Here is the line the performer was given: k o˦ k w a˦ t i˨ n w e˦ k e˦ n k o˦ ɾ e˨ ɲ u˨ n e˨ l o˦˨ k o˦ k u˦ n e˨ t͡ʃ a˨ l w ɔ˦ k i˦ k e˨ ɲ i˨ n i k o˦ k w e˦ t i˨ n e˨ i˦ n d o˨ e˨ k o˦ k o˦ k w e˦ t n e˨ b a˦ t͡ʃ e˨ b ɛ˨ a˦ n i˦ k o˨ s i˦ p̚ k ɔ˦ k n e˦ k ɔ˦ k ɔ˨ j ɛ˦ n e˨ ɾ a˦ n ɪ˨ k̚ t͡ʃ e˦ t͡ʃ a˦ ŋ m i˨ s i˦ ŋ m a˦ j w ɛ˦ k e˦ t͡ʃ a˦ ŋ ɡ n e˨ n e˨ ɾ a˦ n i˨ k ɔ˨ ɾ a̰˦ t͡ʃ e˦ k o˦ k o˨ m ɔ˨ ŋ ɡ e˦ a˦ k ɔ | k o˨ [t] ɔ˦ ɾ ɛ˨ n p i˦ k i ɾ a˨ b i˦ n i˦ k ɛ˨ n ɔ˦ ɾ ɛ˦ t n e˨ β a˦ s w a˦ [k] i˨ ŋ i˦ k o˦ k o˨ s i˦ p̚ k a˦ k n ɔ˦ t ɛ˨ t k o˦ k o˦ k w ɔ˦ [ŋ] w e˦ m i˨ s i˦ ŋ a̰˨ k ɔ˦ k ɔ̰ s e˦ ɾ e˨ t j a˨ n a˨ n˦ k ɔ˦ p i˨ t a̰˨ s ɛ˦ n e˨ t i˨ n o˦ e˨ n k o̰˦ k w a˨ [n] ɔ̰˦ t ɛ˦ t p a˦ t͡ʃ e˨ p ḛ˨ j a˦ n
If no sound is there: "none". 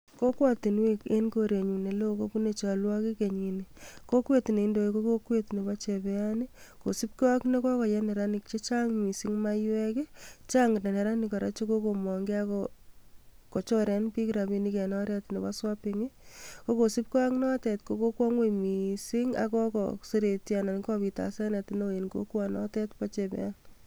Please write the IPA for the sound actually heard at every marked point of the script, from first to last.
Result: t͡ʃ, p, ŋ, n

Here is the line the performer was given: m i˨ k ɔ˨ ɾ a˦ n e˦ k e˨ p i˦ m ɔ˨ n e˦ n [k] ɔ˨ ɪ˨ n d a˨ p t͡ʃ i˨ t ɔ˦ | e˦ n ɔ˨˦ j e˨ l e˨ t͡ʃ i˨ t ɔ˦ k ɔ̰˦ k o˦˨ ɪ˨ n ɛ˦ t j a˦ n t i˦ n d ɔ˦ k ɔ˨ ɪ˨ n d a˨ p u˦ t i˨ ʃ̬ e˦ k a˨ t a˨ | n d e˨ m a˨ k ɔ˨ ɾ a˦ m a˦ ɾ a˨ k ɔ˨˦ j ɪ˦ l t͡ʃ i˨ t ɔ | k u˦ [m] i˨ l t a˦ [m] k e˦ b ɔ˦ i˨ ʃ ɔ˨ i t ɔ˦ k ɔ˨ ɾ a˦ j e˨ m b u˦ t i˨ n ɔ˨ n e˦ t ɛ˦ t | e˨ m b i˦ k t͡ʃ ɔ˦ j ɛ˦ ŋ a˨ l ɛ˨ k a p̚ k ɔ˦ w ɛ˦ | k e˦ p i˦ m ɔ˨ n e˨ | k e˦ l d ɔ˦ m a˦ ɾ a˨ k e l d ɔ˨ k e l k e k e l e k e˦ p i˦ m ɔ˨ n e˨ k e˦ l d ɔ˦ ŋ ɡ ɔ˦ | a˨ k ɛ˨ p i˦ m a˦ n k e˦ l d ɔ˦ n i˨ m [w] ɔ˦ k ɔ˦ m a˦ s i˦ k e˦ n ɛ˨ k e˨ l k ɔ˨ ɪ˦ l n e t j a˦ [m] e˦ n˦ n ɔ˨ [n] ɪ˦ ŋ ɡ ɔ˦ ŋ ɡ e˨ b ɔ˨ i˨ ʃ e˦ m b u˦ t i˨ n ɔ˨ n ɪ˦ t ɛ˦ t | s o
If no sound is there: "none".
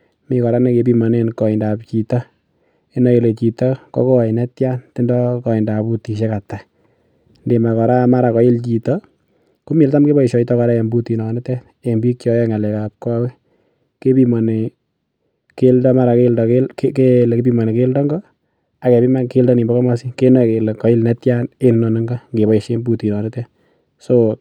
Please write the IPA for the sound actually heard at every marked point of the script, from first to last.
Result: k, m, m, b, n, n

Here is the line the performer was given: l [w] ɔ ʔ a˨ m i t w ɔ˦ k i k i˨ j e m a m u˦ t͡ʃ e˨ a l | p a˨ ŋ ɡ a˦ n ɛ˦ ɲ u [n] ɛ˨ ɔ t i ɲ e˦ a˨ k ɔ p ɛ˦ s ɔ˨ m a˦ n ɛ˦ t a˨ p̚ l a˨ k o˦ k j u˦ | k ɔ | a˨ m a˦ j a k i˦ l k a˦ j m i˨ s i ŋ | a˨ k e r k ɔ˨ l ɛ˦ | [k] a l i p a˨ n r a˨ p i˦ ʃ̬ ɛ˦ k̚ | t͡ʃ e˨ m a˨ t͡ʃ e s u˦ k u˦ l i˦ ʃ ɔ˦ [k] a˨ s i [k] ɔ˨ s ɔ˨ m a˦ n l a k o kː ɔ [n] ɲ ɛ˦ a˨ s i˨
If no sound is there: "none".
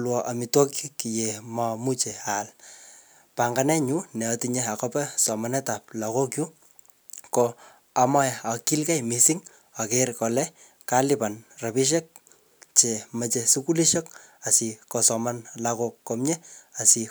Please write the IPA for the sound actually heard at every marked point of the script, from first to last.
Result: w, n, k, k, k, m

